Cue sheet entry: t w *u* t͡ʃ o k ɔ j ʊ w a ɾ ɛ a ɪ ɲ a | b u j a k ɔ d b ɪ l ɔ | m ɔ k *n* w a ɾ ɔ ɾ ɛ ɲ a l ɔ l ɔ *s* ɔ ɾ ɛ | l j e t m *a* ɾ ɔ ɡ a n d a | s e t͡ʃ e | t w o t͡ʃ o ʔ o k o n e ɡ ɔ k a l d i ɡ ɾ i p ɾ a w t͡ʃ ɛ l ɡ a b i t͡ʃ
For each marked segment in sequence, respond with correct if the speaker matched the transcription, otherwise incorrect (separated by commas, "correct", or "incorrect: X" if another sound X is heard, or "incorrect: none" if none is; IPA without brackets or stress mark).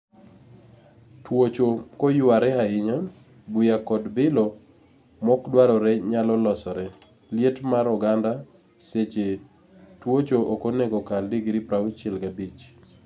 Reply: incorrect: o, incorrect: d, correct, correct